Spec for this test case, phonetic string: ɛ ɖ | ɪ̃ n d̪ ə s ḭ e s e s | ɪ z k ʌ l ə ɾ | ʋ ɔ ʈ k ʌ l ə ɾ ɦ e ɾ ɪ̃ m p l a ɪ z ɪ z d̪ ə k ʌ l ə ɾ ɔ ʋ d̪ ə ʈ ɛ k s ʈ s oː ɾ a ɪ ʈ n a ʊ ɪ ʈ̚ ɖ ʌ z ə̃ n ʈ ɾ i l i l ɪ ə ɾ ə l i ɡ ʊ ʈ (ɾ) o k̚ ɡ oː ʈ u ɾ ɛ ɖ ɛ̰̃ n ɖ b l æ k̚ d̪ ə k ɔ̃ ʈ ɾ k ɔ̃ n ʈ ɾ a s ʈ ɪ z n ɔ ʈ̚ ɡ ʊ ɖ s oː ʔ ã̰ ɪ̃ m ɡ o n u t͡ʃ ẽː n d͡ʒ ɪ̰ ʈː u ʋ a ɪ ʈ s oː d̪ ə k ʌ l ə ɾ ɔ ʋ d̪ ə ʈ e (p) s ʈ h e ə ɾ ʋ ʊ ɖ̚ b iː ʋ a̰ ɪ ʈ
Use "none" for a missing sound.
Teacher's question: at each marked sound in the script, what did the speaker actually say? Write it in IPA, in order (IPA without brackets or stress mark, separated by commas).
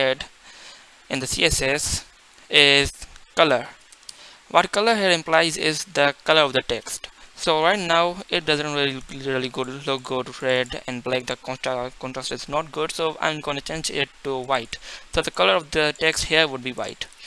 l, k